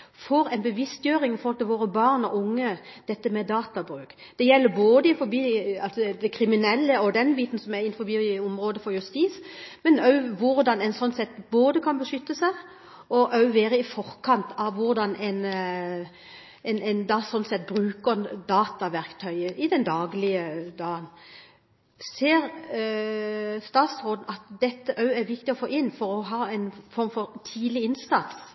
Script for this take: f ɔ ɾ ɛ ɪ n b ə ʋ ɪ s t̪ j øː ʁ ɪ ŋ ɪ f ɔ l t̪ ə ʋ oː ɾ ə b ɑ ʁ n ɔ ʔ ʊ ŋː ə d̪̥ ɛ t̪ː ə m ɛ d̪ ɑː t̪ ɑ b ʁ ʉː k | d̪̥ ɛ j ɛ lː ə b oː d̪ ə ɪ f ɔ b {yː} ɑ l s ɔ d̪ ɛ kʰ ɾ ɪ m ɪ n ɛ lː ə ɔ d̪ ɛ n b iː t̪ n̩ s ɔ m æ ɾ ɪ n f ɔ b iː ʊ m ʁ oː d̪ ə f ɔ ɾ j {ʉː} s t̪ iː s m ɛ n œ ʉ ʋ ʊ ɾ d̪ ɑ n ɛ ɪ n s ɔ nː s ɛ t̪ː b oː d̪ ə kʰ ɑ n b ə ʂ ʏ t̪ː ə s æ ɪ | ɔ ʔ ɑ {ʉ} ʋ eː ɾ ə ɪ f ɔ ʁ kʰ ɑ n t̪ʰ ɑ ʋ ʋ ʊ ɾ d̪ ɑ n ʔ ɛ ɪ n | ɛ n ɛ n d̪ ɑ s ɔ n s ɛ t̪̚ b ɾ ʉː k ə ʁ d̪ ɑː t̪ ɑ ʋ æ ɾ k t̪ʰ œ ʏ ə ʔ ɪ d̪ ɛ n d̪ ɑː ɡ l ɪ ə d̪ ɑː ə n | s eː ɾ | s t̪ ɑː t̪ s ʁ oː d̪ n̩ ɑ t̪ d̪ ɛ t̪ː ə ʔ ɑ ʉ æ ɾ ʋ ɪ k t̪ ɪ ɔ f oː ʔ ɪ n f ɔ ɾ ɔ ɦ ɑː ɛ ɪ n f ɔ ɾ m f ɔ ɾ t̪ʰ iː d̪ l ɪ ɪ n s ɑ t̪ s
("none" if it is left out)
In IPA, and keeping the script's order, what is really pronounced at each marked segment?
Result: iː, ʉ, ʉ

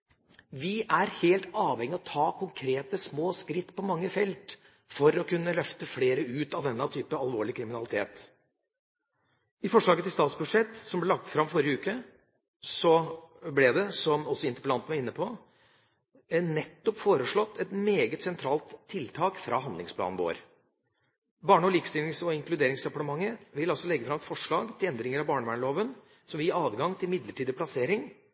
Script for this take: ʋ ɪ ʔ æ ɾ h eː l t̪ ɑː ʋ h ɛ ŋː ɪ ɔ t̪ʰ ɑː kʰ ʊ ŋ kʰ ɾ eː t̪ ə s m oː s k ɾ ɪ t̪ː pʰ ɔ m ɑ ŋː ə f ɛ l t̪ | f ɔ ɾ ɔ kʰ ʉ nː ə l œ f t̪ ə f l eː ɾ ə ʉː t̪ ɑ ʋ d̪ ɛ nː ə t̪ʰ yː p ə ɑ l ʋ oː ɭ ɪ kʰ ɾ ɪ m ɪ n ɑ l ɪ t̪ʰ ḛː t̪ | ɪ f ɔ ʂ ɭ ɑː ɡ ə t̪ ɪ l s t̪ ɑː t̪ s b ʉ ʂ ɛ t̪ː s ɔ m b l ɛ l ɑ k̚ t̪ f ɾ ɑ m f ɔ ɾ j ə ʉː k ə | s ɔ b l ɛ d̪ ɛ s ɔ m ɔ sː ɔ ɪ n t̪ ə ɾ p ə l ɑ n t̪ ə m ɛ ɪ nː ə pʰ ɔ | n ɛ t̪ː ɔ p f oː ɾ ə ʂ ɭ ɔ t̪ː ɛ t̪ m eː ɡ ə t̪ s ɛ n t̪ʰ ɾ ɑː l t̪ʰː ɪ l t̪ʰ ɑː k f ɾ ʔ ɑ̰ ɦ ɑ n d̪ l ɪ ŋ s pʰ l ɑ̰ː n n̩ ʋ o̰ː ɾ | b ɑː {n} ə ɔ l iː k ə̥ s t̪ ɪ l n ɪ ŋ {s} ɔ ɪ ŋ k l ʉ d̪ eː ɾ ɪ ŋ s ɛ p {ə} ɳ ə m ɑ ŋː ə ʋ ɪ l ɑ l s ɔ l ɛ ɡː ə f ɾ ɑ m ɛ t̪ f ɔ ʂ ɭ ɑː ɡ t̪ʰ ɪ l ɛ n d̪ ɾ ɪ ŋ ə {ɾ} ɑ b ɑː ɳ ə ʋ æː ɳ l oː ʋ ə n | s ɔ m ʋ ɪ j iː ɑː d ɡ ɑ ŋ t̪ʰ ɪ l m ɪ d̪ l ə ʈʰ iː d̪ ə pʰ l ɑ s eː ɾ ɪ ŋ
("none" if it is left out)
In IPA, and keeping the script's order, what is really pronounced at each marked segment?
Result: ɳ, s, ɑ, ɾ

